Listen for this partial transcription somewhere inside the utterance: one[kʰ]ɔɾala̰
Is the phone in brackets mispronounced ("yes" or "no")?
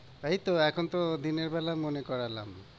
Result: yes